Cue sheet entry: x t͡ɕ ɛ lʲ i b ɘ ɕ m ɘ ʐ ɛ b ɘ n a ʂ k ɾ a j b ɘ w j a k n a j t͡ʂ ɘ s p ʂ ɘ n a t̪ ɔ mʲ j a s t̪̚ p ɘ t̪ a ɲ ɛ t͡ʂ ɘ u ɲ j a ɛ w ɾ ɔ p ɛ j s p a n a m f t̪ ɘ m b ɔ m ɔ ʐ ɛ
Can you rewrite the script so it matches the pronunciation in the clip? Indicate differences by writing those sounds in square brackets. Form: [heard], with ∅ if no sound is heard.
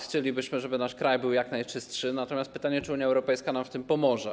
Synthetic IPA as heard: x t͡ɕ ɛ lʲ i b ɘ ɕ m ɘ ʐ ɛ b ɘ n a ʂ k ɾ a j b ɘ w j a k n a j t͡ʂ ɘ s [t] ʂ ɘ n a t̪ ɔ mʲ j a s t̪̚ p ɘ t̪ a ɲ ɛ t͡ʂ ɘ u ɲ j a ɛ w ɾ ɔ p ɛ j s [k] a n a m f t̪ ɘ m [p] ɔ m ɔ ʐ ɛ